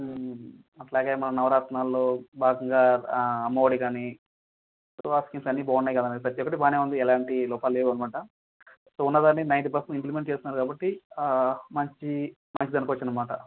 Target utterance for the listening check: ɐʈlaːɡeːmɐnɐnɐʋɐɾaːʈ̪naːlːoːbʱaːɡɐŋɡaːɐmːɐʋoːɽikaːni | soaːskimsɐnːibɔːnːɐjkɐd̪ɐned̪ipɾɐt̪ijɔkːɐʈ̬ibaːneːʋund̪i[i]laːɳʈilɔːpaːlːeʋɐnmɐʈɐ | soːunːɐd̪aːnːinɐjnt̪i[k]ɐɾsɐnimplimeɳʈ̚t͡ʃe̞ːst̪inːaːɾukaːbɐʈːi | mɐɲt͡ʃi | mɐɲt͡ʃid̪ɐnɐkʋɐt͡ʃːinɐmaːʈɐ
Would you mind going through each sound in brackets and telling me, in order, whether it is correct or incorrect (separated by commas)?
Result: incorrect, incorrect